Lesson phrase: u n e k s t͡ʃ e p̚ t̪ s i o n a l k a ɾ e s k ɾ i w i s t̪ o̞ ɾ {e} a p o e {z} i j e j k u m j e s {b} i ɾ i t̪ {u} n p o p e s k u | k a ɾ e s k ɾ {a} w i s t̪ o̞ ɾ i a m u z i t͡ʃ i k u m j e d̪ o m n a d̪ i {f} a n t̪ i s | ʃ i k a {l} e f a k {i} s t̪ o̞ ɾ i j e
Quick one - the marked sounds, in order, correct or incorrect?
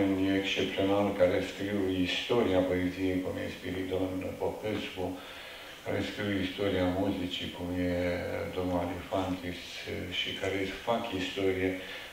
incorrect: i, correct, incorrect: p, incorrect: o, incorrect: i, correct, incorrect: ɾ, correct

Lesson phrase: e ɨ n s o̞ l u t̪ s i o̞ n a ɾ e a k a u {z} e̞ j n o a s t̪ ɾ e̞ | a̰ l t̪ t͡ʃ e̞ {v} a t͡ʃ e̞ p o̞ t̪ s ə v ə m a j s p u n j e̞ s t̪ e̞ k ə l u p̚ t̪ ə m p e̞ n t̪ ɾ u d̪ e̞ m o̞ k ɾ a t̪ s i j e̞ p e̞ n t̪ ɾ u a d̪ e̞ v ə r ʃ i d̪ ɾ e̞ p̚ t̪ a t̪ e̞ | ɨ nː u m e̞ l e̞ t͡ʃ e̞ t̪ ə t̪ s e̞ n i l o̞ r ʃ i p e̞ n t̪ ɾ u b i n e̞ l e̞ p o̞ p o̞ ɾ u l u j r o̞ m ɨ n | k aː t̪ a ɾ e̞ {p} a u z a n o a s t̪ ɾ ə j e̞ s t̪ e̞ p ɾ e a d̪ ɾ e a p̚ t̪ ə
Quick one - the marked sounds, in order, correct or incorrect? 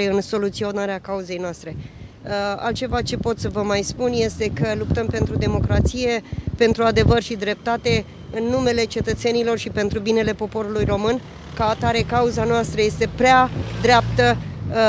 correct, correct, incorrect: k

